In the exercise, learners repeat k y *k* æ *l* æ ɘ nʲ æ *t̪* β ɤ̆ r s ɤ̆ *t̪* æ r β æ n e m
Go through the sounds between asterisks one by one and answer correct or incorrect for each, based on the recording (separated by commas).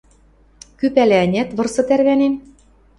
incorrect, correct, correct, correct